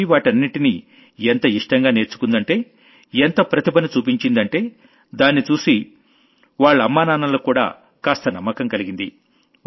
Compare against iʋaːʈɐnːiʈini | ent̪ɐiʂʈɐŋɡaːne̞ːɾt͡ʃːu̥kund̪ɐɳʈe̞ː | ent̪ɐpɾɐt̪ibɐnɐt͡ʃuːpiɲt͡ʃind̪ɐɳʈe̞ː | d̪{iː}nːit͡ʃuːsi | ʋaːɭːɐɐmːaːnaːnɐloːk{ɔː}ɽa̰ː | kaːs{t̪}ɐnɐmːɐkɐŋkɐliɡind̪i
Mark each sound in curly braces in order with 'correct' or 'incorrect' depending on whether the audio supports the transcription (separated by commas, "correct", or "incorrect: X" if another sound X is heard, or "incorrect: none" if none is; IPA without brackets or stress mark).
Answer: incorrect: aː, incorrect: uː, correct